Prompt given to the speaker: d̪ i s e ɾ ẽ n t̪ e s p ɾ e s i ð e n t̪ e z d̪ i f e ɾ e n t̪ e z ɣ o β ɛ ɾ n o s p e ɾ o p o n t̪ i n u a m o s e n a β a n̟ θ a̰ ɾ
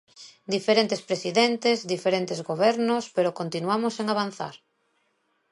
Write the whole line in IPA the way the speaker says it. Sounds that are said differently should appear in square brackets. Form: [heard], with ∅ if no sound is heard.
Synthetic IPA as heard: d̪ i [f] e ɾ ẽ n t̪ e s p ɾ e s i ð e n t̪ e z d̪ i f e ɾ e n t̪ e z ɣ o β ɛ ɾ n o s p e ɾ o [k] o n t̪ i n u a m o s e [ŋ] a β a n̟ θ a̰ ɾ

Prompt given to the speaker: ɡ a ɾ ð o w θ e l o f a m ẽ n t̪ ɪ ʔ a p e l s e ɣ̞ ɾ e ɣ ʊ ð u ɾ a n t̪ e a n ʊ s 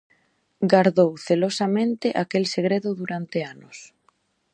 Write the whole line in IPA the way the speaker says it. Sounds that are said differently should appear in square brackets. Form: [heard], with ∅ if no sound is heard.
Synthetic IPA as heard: ɡ a ɾ ð o w θ e l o [s] a m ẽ n t̪ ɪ ʔ a [k] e l s e ɣ̞ ɾ e [ð] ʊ ð u ɾ a n t̪ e a n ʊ s

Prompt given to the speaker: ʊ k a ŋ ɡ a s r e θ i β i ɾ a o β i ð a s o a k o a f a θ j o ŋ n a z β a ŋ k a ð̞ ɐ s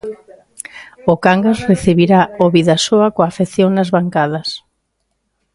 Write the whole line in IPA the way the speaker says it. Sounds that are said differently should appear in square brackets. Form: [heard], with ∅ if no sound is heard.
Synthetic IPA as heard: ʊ k a ŋ ɡ a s r e θ i β i ɾ a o β i ð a s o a k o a f [e] θ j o ŋ n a z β a ŋ k a ð̞ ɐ s

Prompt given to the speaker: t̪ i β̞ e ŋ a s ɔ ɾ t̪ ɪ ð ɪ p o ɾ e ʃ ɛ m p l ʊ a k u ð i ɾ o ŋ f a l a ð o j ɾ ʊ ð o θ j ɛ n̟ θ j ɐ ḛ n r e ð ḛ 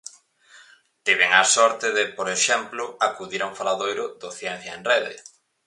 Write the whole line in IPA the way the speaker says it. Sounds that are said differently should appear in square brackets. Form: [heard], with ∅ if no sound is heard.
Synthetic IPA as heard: t̪ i β̞ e ŋ a s ɔ ɾ t̪ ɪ ð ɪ p o ɾ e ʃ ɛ m p l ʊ a k u ð i ɾ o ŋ f a l a ð o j ɾ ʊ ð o θ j ɛ n̟ θ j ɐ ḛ n r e ð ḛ

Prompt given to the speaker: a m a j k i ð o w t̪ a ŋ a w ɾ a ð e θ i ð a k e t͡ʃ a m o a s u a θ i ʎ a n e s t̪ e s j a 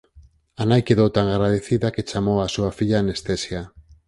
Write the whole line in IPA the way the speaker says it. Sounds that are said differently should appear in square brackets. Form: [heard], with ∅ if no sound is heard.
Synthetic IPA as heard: a [n] a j k [e] ð o w t̪ a ŋ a [ɣ] ɾ a ð e θ i ð a k e t͡ʃ a m o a s u a [f] i ʎ a n e s t̪ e s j a

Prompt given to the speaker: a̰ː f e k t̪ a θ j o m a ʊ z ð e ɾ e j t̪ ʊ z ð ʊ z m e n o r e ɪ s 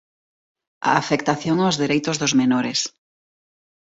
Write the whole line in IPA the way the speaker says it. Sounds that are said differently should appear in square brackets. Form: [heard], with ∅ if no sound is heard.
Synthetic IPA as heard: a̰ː f e k t̪ a θ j o [ŋ] a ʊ z ð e ɾ e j t̪ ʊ z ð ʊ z m e n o [ɾ] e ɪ s

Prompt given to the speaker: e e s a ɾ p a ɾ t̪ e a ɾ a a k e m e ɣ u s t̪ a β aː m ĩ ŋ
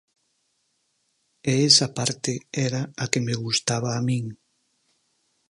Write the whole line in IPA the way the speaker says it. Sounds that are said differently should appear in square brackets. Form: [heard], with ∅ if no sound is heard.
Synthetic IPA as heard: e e s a [∅] p a ɾ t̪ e [ɛ] ɾ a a k e m e ɣ u s t̪ a β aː m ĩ ŋ

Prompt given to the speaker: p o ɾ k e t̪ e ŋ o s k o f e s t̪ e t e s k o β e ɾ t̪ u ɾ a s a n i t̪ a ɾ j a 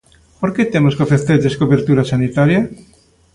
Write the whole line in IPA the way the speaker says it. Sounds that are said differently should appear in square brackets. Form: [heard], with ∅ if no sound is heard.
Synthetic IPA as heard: p o ɾ k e t̪ e [m] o s k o f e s t̪ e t e s k o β e ɾ t̪ u ɾ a s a n i t̪ a ɾ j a

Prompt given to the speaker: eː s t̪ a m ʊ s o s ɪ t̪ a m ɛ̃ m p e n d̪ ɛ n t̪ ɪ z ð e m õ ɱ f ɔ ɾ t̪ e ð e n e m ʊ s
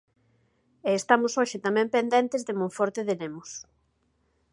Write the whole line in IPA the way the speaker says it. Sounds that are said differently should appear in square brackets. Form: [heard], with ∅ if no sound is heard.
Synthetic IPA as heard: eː s t̪ a m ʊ s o [ʃ] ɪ t̪ a m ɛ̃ m p e n d̪ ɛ n t̪ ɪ z ð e m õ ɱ f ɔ ɾ t̪ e ð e n e m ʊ s

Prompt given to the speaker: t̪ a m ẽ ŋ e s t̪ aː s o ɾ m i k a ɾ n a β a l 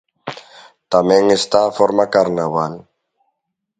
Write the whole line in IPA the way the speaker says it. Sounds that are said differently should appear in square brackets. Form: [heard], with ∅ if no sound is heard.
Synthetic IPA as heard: t̪ a m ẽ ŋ e s t̪ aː [f] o ɾ m [a] k a ɾ n a β a l

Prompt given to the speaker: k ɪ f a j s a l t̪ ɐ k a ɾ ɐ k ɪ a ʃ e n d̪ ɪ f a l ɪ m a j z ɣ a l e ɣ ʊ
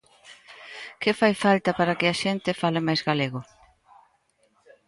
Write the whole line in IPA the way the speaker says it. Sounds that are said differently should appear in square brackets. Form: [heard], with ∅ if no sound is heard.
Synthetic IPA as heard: k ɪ f a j [f] a l t̪ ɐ [p] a ɾ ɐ k ɪ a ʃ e n [t̪] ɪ f a l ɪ m a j z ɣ a l e ɣ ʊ

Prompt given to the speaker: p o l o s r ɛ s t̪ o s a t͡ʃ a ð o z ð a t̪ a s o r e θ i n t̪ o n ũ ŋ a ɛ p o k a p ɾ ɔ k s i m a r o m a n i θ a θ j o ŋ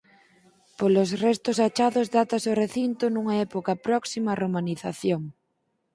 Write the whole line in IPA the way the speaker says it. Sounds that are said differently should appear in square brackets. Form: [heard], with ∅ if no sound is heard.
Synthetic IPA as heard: p o l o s r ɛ s t̪ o s a t͡ʃ a ð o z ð a t̪ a s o r e θ i n t̪ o n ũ ŋ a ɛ p o k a p ɾ ɔ k s i m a r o m a n i θ a θ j o ŋ

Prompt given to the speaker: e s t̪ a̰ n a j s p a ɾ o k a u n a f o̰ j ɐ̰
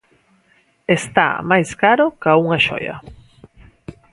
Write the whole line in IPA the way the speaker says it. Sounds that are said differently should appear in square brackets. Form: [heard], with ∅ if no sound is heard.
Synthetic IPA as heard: e s t̪ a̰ [m] a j s [k] a ɾ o k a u [ŋ] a [ʃ] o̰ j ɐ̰

